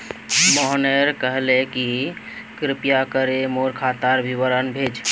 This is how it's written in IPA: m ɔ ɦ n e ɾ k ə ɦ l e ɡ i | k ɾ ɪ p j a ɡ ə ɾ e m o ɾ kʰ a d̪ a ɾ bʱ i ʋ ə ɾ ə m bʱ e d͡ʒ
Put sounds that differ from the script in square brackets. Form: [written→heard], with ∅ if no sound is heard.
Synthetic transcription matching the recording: m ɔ ɦ n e ɾ k ə ɦ l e [ɡ→k] i | k ɾ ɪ p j a [ɡ→k] ə ɾ e m o ɾ kʰ a [d̪→t̪] a ɾ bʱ i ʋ ə ɾ ə [m→n] bʱ e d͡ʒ